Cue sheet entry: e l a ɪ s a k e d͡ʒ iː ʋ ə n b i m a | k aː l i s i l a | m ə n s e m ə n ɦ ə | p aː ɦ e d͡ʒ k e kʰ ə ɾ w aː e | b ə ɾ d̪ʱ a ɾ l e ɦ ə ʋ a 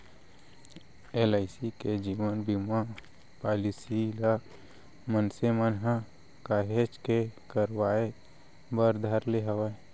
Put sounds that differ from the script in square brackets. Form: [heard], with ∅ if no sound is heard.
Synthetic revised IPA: e l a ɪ s [i] k e d͡ʒ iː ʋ ə n b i m a | [p] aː l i s i l a | m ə n s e m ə n ɦ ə | [k] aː ɦ e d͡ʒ k e [k] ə ɾ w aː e | b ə ɾ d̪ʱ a ɾ l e ɦ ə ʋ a